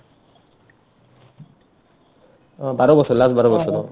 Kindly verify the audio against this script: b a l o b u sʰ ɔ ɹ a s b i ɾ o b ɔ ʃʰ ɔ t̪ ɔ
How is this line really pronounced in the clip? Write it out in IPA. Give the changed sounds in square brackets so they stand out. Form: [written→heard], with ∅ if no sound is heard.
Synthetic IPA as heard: b a [l→ɾ] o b [u→ɔ] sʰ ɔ [ɹ→l] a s b [i→a] ɾ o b ɔ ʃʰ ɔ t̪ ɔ